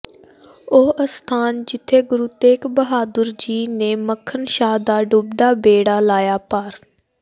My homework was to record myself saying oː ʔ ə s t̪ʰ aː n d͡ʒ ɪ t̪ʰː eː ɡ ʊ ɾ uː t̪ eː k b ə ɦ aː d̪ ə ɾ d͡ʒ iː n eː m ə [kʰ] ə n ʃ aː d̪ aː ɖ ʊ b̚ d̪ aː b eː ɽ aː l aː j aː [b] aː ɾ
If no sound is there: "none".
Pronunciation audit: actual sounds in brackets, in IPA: kʰ, p

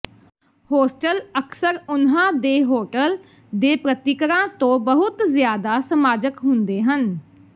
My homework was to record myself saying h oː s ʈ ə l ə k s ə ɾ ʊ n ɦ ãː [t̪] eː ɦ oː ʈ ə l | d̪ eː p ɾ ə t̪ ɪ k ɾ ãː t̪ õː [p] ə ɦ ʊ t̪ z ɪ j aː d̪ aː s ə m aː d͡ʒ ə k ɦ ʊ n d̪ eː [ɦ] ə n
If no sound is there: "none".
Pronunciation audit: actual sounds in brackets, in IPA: d̪, b, ɦ

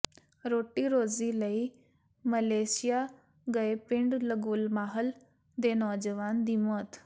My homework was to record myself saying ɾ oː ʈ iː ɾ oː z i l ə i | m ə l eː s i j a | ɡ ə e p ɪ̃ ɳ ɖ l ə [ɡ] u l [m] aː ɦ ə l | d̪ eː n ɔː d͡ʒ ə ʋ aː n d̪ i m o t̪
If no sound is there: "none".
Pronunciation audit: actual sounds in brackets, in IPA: ɡ, m

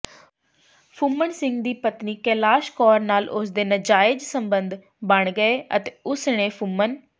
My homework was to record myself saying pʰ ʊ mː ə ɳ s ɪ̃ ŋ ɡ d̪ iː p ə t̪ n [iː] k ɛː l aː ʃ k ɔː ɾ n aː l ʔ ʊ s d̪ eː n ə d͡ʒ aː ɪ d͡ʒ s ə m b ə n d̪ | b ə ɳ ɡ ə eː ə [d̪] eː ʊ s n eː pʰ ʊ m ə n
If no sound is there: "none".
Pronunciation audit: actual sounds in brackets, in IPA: iː, t̪

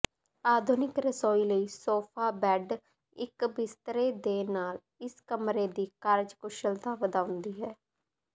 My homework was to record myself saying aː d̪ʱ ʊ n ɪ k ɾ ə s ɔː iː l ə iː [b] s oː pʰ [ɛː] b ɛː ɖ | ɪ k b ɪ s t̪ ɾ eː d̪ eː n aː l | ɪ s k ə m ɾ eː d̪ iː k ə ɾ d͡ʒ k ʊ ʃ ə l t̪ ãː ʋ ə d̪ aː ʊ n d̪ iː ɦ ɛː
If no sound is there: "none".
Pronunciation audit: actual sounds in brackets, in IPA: none, aː

